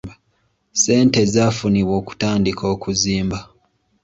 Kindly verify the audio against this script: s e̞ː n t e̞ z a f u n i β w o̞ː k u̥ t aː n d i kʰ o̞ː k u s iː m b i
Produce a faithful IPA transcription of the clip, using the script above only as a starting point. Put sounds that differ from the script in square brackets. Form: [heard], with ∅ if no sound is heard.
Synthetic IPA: s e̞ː n t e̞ z a f u n i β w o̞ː k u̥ t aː n d i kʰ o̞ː k u [z] iː m b [a]